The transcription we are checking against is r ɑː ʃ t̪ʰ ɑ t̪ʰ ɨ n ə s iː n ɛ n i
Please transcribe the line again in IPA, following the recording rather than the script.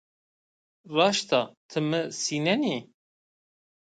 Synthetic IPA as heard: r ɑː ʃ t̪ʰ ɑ t̪ʰ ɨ m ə s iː n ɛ n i